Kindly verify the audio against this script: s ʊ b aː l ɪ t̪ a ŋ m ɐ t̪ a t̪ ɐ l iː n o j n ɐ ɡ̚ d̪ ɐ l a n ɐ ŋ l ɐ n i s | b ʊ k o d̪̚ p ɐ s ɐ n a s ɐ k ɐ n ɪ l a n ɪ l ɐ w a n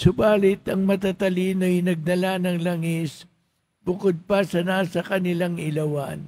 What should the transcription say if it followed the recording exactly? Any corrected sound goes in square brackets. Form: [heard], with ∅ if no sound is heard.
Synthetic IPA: s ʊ b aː l ɪ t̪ [ɐ] ŋ m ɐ t̪ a t̪ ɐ l iː n o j n ɐ ɡ̚ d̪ ɐ l a n ɐ ŋ l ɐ [ŋ] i s | b ʊ k o d̪̚ p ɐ s ɐ n a s ɐ k ɐ n ɪ l a [ŋ] ɪ l ɐ w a n